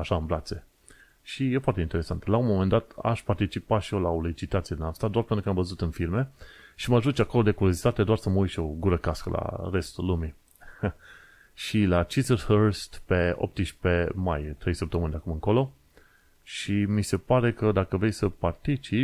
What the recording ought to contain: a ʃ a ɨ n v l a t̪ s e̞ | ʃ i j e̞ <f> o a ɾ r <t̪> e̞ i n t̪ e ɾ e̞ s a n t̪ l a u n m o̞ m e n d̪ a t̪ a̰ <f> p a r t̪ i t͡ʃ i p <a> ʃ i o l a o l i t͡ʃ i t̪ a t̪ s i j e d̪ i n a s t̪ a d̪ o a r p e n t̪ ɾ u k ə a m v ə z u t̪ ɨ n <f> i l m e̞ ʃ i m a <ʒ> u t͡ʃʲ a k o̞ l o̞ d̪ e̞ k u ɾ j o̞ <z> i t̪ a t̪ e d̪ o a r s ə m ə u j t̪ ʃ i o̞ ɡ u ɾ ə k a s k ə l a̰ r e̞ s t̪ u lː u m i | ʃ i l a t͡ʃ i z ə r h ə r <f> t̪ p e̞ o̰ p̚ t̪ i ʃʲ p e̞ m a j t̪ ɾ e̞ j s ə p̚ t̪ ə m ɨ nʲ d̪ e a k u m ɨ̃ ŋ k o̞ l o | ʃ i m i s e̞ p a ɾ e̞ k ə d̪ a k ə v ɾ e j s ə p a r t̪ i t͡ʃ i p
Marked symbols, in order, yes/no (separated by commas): yes, yes, no, yes, yes, yes, yes, no